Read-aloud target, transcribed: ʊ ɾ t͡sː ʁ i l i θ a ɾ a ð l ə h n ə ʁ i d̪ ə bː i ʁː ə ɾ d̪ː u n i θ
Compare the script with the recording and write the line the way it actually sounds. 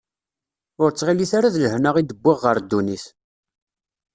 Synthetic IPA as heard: ʊ ɾ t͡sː ʁ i l i θ a ɾ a ð l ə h n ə ʁ i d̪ ə bː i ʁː ə ɾ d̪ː u n i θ